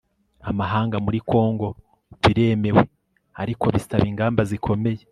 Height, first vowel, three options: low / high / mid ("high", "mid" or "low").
low